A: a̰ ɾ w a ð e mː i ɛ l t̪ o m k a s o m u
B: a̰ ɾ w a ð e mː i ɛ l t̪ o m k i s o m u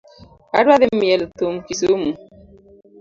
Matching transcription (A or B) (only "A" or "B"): B